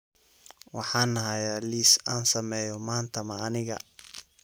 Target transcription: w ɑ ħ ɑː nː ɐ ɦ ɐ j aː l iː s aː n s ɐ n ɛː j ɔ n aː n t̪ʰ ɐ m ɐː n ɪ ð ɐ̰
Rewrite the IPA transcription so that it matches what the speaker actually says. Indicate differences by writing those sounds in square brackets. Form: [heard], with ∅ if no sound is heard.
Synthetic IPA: w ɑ ħ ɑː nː ɐ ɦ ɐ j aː l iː s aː n s ɐ [m] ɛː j ɔ [m] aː n t̪ʰ ɐ m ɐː n ɪ [ɣ] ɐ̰